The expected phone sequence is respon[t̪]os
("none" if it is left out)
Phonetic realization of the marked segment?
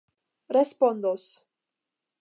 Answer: d̪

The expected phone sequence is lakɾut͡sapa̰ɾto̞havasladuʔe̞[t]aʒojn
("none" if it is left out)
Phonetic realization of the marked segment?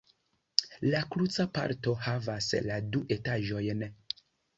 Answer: t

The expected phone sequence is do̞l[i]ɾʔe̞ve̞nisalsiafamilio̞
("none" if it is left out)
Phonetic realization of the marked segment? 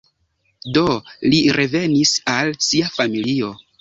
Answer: i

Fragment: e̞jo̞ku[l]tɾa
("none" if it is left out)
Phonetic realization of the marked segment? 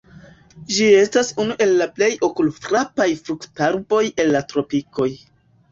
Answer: l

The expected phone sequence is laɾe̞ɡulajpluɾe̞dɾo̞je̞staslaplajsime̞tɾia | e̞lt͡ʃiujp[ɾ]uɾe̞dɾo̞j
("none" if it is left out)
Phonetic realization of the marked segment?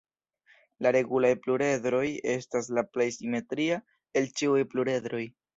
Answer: l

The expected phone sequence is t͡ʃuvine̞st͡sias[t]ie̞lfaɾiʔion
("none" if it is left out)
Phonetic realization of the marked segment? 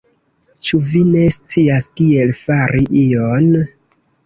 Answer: t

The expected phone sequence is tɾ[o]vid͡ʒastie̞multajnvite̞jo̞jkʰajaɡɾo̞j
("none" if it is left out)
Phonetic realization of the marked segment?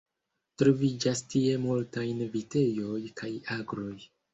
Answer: o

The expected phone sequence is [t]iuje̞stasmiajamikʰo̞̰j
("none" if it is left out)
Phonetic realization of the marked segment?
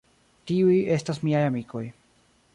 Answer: t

